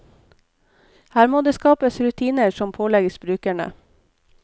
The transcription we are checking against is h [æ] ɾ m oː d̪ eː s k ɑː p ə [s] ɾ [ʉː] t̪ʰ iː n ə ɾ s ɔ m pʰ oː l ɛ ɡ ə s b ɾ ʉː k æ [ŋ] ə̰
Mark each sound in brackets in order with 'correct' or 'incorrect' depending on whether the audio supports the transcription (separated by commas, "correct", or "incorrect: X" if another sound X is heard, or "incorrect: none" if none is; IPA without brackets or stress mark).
incorrect: æː, correct, incorrect: ʉ, incorrect: ɳ